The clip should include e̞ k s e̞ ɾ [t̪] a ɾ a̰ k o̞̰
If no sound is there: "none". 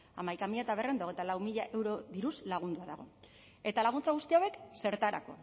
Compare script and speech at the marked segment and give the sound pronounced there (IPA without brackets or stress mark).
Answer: t̪